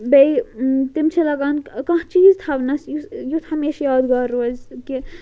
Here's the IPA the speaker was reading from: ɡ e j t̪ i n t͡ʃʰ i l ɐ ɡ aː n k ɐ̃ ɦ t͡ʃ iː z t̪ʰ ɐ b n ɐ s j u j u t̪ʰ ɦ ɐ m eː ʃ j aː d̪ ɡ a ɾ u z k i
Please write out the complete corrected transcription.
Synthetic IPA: b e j t̪ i m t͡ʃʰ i l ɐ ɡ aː n k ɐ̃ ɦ t͡ʃ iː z t̪ʰ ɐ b n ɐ s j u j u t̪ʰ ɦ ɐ m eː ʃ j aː d̪ ɡ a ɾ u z k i

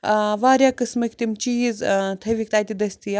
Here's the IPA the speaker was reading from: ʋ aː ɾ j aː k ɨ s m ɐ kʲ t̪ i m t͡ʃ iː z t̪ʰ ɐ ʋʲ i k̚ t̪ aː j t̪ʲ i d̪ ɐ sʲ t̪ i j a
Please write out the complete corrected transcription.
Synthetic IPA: ʋ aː ɾ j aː k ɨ s m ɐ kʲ t̪ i m t͡ʃ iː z t̪ʰ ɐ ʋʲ i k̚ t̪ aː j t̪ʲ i d̪ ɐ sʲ t̪ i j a

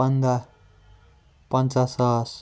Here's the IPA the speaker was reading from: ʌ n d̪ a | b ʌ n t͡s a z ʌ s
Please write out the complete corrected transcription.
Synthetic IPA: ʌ n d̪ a | p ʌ n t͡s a s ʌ s

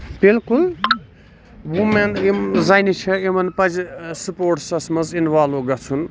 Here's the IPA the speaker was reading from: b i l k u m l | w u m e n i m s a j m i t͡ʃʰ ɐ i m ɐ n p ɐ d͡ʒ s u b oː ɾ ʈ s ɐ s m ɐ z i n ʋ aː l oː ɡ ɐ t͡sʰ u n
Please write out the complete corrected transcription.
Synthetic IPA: b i l k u l | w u m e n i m z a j n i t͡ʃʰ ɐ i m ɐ n p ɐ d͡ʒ s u p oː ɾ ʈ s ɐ s m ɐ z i n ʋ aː l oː ɡ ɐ t͡sʰ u n

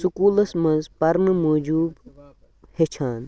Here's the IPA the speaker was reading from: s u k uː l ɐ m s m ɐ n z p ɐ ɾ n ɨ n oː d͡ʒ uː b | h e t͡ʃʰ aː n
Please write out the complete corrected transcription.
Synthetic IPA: s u k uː l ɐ s m ɐ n z p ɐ ɾ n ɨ m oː d͡ʒ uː b | h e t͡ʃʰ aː n

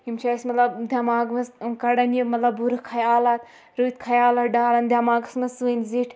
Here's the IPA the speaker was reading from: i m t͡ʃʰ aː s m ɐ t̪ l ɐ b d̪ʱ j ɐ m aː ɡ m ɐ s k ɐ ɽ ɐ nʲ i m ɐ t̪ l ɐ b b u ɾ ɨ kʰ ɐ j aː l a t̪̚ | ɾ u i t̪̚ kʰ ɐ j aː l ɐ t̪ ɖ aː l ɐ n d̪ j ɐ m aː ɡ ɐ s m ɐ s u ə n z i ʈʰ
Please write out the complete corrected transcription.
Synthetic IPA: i m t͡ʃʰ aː s m ɐ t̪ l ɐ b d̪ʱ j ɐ m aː ɡ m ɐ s k ɐ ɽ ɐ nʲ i m ɐ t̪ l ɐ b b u ɾ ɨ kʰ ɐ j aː l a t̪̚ | ɾ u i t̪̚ kʰ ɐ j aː l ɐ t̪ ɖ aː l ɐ n d̪ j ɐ m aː ɡ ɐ s m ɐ s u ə n z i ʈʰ

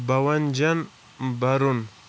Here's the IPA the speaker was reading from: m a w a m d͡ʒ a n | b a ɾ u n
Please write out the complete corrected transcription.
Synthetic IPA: b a w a n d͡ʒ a n | b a ɾ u n

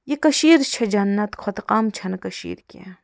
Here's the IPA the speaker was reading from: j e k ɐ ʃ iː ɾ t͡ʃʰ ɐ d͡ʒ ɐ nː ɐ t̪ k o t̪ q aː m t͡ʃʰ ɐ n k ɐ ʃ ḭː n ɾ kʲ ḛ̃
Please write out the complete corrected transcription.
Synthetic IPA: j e k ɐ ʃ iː ɾ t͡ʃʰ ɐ d͡ʒ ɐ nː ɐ t̪ kʰ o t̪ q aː m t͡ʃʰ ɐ n k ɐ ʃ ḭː ɾ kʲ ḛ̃

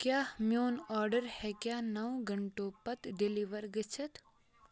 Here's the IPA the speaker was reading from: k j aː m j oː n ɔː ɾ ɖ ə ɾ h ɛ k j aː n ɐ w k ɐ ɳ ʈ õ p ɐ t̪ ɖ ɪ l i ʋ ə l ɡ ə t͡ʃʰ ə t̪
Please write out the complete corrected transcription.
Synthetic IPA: k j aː m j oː n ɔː ɾ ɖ ə ɾ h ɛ k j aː n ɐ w ɡ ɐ ɳ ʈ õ p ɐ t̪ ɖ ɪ l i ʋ ə ɾ ɡ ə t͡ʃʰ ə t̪

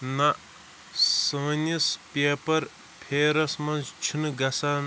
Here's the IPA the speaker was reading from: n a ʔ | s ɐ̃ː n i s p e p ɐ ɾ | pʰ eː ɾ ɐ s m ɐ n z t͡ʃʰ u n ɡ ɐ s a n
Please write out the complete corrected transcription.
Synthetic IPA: n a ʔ | s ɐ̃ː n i s p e p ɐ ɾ | pʰ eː ɾ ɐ s m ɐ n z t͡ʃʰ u n ɡ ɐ s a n

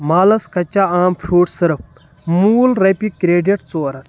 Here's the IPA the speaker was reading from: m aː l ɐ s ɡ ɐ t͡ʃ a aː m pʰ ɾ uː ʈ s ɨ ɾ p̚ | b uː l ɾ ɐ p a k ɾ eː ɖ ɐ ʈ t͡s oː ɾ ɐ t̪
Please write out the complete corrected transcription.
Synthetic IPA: m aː l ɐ s k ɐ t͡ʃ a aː m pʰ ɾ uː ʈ s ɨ ɾ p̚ | m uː l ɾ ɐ p i k ɾ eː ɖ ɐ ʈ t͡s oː ɾ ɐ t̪

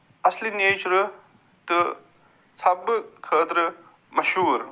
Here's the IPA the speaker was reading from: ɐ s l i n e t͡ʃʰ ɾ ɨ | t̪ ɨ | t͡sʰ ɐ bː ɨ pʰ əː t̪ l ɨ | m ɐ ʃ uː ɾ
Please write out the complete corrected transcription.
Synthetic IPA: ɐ s l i n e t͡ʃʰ ɾ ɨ | t̪ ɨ | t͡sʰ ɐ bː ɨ kʰ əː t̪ ɾ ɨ | m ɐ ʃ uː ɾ

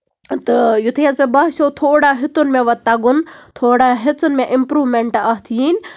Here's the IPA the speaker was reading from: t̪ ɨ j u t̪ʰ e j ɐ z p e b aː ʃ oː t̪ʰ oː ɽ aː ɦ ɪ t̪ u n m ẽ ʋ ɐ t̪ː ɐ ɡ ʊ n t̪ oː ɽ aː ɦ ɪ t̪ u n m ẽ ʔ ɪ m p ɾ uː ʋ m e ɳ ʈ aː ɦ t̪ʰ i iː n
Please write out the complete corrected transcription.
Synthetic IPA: t̪ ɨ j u t̪ʰ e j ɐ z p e b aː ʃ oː t̪ʰ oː ɽ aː ɦ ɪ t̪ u n m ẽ ʋ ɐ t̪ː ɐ ɡ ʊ n t̪ʰ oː ɽ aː ɦ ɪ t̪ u n m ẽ ʔ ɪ m p ɾ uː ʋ m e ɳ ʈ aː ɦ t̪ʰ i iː n

